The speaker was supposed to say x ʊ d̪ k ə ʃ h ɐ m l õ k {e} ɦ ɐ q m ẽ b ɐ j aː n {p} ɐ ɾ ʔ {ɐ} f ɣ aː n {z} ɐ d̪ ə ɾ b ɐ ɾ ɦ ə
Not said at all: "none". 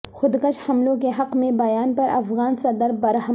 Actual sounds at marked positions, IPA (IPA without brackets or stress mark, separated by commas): e, p, ɐ, s